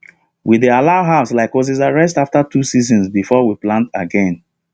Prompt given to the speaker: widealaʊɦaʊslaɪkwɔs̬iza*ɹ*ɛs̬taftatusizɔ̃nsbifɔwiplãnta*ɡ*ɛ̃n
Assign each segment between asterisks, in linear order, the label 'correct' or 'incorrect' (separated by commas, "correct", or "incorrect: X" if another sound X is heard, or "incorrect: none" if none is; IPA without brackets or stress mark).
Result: correct, correct